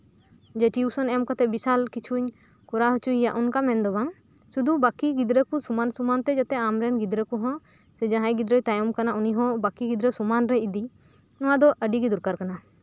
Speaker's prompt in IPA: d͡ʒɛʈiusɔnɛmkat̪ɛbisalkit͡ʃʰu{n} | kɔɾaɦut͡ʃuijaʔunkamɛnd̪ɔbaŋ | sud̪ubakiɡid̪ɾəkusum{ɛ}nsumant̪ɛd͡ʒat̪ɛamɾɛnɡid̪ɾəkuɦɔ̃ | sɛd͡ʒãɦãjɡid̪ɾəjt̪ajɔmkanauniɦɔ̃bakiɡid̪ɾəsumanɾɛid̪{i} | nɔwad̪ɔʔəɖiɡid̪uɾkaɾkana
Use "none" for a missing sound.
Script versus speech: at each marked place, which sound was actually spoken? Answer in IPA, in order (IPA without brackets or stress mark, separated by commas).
ɲ, a, i